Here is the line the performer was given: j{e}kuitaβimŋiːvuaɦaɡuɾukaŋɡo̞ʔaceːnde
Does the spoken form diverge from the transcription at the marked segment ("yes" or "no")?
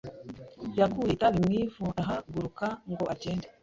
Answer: yes